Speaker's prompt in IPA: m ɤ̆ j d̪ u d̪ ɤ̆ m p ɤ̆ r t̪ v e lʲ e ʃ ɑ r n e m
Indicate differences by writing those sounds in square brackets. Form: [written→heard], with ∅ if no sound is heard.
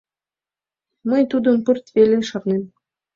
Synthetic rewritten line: m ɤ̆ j [d̪→t̪] u d̪ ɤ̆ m p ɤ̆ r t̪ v e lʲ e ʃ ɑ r n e m

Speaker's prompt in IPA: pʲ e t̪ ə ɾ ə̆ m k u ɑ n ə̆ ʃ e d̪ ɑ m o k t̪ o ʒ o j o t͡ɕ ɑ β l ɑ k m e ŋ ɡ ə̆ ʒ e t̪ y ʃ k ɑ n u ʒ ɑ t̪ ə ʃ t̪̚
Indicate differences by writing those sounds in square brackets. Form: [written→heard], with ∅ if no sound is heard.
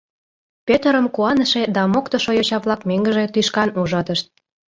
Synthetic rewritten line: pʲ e t̪ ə ɾ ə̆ m k u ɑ n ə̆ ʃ e d̪ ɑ m o k t̪ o [ʒ→ʃ] o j o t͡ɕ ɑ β l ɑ k m e ŋ ɡ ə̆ ʒ e t̪ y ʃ k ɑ n u ʒ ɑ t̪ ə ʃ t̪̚

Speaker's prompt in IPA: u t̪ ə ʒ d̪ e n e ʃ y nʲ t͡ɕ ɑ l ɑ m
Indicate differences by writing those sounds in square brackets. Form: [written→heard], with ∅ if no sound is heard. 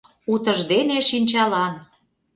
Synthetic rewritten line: u t̪ ə ʒ d̪ e n e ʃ [y→i] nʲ t͡ɕ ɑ l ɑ [m→n]

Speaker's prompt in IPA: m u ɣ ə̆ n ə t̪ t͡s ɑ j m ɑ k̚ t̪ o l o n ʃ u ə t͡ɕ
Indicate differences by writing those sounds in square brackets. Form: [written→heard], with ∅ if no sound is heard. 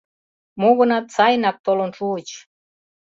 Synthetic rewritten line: m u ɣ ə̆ n [ə→ɑ] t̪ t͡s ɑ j [m→n] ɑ k̚ t̪ o l o n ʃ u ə t͡ɕ

